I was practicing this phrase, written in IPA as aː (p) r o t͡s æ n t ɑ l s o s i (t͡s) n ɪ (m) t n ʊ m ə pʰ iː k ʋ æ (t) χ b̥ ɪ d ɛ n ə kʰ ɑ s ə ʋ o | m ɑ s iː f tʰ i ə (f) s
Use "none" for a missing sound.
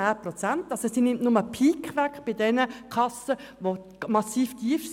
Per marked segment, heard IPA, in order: p, none, m, k, f

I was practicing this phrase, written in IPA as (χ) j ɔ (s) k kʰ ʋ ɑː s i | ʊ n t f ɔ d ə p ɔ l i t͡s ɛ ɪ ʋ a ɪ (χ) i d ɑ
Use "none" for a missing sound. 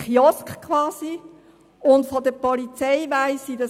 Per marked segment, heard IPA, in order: χ, s, s

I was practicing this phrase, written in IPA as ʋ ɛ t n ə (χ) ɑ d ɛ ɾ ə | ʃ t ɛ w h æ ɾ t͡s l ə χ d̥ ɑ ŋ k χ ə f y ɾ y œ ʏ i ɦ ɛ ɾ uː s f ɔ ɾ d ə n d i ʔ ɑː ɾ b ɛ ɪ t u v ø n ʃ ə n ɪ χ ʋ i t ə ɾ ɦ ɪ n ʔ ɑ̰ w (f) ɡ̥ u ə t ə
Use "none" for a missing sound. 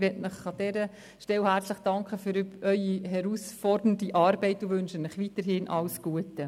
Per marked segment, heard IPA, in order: χ, s

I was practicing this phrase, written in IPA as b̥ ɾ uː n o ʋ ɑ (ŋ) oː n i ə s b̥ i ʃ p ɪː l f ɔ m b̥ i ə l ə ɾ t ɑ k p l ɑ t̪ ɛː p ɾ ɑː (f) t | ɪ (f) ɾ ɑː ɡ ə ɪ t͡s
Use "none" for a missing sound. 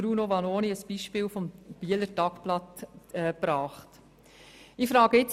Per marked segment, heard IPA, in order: n, χ, f

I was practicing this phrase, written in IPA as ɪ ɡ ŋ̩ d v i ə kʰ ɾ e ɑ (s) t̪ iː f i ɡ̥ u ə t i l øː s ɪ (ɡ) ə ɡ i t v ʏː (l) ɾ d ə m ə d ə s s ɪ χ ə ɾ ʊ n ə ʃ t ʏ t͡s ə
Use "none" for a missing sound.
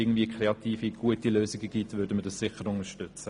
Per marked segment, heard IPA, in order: none, ɡ, none

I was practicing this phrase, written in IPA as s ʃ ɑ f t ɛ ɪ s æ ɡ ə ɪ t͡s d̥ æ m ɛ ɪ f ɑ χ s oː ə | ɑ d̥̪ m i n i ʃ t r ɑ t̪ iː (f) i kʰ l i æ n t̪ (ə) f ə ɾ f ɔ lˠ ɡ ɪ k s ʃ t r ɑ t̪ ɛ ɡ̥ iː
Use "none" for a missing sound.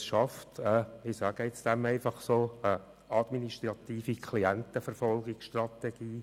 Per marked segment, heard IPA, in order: f, ə

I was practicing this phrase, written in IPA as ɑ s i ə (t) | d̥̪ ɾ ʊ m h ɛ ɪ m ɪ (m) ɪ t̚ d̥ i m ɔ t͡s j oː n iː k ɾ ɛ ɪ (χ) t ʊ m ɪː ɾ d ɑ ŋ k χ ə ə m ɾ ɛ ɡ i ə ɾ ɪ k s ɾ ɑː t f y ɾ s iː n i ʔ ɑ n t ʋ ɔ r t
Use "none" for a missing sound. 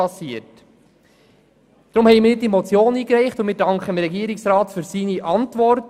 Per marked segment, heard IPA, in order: t, n, χ

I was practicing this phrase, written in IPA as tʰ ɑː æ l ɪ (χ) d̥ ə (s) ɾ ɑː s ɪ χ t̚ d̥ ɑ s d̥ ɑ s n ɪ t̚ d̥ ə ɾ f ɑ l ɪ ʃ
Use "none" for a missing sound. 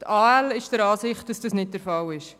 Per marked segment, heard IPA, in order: ʃ, none

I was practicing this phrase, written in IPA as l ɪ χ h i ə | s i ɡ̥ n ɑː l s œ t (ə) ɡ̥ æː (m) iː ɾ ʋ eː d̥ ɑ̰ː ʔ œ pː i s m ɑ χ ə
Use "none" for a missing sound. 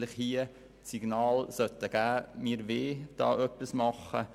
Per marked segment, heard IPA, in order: ə, m

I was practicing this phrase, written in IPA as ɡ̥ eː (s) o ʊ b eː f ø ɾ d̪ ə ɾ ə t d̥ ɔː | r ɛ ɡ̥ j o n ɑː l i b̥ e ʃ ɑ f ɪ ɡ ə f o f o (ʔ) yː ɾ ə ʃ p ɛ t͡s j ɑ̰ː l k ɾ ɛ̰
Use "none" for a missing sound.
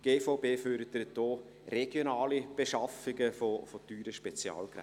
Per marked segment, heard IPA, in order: f, t

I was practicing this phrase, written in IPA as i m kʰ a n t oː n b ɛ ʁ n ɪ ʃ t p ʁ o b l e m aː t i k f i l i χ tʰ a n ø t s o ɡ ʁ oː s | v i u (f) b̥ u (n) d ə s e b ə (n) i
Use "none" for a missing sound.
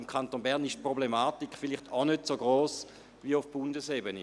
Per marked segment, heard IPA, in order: f, n, n

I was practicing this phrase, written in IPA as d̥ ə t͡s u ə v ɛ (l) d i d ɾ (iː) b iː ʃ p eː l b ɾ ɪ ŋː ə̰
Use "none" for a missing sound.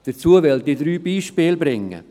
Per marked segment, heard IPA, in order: l, yː

